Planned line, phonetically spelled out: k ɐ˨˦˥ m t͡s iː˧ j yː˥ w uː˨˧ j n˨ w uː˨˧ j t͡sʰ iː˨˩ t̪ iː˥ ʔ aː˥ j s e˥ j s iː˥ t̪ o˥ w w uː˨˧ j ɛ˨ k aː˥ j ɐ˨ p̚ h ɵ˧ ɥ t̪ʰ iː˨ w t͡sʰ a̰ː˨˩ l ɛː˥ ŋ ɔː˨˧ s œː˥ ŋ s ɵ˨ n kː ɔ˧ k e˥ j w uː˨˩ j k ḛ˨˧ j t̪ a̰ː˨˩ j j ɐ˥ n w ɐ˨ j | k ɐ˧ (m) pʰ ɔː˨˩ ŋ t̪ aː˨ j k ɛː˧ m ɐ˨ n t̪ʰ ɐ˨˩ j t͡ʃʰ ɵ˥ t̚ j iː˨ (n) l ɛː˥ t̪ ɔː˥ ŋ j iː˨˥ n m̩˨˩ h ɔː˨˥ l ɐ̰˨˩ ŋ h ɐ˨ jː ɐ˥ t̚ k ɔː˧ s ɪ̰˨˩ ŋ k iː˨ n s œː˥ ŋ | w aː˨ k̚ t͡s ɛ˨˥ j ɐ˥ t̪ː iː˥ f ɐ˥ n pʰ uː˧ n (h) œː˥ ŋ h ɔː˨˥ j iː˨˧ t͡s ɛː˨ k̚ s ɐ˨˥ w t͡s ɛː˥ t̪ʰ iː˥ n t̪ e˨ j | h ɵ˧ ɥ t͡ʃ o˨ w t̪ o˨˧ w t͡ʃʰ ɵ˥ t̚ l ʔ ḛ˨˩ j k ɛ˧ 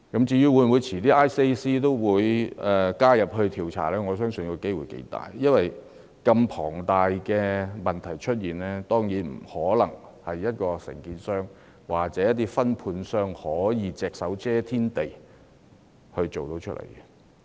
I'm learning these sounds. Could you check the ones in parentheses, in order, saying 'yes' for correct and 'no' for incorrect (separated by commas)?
yes, yes, no